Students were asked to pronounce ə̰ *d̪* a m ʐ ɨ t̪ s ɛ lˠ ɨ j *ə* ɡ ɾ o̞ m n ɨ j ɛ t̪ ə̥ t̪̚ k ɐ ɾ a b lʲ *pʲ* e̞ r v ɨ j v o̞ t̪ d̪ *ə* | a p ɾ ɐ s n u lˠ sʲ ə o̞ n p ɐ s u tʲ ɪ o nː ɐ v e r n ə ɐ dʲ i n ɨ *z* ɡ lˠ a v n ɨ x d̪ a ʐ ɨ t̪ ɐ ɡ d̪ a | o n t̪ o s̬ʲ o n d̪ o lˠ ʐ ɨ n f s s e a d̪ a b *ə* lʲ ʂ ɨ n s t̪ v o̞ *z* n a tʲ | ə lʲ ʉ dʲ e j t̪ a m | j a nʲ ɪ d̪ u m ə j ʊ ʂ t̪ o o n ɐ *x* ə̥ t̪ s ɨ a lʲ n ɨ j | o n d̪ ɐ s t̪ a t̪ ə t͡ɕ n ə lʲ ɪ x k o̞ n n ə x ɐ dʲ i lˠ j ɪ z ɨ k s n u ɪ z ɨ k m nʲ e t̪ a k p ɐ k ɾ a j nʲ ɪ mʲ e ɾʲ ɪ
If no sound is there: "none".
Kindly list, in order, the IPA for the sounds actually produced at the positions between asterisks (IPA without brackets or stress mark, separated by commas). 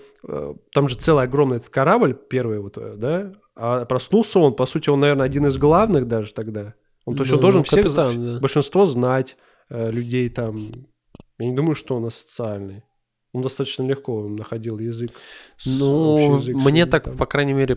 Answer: t̪, ɐ, pʲ, a, z, ə, z, s